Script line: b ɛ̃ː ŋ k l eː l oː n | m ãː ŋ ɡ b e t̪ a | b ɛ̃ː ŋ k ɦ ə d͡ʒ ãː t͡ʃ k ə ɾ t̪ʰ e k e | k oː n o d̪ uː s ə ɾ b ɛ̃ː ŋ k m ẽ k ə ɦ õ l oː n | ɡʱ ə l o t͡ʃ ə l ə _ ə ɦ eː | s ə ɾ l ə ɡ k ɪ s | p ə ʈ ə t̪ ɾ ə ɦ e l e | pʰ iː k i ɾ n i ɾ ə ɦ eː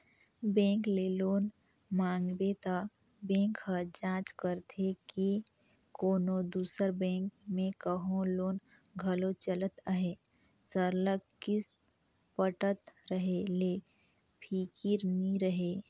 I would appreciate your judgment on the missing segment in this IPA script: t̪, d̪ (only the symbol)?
t̪